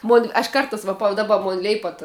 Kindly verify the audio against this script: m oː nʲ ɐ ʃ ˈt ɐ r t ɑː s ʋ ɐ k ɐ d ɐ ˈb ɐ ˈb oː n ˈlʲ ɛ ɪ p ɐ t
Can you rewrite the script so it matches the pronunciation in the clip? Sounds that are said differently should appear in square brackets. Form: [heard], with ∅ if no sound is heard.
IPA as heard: m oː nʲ ɐ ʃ [ˈk] ɐ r t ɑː s ʋ ɐ [p] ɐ d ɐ ˈb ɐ [ˈm] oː n ˈlʲ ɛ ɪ p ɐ t